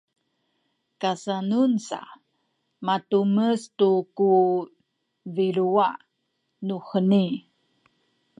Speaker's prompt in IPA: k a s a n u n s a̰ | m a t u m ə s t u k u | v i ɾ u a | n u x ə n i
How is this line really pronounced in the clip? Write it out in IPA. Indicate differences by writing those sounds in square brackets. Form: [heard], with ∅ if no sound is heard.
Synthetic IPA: k a s a n u n s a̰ | m a t u m ə s t u k u | v i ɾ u a | n u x ə n i